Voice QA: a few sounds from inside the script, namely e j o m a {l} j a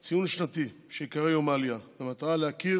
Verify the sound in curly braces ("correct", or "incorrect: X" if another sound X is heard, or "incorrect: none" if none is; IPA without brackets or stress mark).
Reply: correct